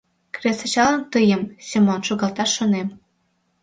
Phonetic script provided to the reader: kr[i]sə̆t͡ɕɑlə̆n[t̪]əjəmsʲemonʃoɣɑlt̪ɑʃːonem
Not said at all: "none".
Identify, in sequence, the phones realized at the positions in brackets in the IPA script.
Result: e, t̪

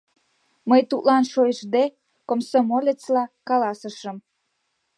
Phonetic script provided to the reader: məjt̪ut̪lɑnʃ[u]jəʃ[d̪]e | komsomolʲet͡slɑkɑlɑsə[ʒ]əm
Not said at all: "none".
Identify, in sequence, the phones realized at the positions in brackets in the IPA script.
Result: o, d̪, ʃ

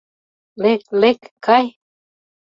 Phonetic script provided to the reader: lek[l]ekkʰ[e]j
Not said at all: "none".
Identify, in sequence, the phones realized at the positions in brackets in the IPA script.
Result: l, a

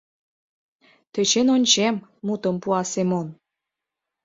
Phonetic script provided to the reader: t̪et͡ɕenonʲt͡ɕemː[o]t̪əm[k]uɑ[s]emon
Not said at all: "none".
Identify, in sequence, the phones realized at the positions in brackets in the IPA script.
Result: u, p, s

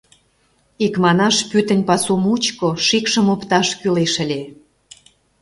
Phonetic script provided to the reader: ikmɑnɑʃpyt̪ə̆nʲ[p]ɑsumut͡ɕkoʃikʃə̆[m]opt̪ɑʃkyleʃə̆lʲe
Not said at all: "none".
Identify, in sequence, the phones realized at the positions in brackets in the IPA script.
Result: p, m

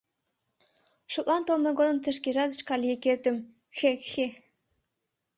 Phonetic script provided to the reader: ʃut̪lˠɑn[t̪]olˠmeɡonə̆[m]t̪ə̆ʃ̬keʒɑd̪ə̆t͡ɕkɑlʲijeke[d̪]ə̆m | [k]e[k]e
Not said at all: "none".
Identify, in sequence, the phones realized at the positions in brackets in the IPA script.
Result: t̪, m, t̪, x, x

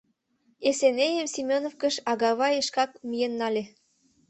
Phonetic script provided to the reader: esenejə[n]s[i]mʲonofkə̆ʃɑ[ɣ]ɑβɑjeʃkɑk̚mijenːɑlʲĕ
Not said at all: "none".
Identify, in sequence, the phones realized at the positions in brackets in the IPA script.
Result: m, i, ɣ

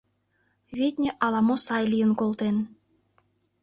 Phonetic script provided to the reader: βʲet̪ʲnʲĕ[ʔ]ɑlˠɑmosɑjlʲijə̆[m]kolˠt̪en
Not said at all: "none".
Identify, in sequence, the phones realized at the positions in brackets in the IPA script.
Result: ʔ, n

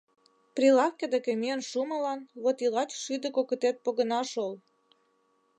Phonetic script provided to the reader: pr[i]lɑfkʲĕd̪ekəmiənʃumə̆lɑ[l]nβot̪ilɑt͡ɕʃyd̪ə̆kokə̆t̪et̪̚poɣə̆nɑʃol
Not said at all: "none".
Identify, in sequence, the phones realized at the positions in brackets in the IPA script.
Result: i, none

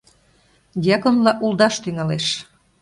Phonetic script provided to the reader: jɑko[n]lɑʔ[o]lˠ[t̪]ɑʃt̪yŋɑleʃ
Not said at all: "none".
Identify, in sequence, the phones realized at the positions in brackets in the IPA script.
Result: n, u, d̪

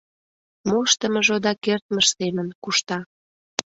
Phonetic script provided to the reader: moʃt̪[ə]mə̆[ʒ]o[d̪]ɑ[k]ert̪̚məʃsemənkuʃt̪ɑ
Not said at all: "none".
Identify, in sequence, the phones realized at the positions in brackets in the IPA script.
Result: ə, ʒ, d̪, k

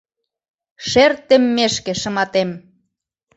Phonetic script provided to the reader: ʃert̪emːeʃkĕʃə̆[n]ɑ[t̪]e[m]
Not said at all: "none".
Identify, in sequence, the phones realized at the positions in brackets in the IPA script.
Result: m, t̪, m

